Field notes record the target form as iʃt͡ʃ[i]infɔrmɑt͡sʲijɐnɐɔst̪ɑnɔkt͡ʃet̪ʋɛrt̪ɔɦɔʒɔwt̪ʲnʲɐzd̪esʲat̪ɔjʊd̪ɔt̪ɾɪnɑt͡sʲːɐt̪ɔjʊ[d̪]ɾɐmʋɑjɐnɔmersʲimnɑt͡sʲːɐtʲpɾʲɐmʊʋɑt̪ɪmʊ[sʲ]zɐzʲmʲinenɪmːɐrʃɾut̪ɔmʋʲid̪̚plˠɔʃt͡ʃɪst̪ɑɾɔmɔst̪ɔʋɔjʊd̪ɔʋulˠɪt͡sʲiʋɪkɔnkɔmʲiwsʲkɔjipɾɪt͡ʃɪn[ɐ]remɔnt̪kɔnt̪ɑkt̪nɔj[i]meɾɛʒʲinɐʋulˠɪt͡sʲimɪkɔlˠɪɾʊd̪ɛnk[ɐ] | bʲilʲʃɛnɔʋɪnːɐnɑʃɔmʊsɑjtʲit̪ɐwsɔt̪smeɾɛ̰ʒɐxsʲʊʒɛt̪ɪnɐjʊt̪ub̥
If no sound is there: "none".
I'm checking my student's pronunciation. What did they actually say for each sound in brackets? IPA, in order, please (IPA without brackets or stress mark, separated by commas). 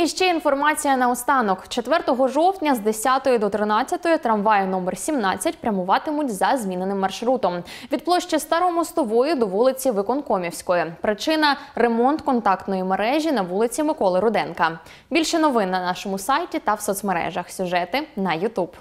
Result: ɛ, t̪, tʲ, ɐ, i, ɐ